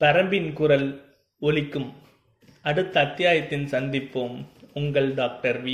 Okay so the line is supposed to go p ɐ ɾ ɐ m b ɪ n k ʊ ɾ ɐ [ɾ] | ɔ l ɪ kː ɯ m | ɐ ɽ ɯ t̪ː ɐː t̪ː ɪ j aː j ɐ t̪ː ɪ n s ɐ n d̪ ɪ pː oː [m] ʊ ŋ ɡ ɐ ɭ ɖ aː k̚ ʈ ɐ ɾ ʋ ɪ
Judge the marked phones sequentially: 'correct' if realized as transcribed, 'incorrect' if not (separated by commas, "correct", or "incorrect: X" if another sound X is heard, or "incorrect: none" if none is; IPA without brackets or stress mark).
incorrect: l, correct